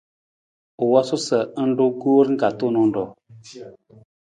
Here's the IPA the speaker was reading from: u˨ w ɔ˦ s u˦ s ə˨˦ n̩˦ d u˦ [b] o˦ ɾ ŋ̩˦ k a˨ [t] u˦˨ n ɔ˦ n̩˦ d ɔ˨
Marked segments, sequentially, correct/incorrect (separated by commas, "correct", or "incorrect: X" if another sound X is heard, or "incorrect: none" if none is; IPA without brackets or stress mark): incorrect: ɡ, correct